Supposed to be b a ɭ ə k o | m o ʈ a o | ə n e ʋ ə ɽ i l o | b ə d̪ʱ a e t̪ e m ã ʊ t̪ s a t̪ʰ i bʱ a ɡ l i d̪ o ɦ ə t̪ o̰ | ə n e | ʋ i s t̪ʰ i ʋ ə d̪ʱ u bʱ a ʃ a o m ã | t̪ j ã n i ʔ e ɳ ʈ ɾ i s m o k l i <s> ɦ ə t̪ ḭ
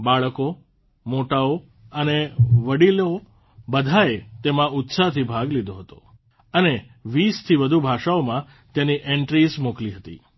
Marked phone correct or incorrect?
incorrect